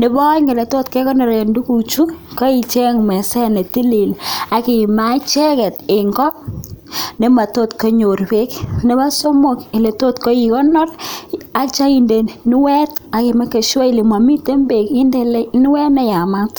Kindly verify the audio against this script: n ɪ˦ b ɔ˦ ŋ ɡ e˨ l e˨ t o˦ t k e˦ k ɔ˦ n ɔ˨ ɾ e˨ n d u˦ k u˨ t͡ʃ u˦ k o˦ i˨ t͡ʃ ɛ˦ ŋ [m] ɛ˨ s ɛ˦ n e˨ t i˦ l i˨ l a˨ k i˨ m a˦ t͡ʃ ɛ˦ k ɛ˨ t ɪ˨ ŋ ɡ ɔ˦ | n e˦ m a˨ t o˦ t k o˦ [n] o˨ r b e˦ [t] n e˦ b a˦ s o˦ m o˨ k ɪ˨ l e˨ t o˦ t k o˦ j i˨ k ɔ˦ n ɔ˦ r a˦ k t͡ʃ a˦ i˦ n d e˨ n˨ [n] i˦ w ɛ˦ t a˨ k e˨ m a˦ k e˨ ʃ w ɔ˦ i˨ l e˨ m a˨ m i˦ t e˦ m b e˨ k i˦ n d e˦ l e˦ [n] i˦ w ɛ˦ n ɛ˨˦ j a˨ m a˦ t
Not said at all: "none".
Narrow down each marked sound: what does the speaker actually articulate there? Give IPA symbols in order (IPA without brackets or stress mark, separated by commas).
m, ɲ, k, n, n